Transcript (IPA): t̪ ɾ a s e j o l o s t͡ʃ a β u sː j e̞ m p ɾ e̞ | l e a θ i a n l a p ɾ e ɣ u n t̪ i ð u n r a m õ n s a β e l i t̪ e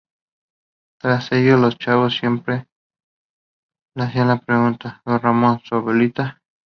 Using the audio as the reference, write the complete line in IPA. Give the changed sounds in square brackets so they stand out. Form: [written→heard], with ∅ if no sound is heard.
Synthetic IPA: t̪ ɾ a s e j o l o s t͡ʃ a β [u→o] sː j e̞ m p ɾ e̞ | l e a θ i a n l a p ɾ e ɣ u n t̪ [i→a] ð [u→o] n r a m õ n s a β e l i t̪ [e→a]